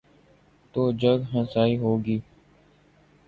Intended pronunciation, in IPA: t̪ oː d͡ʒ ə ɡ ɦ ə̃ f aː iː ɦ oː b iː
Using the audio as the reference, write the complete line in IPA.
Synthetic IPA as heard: t̪ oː d͡ʒ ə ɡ ɦ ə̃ s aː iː ɦ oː ɡ iː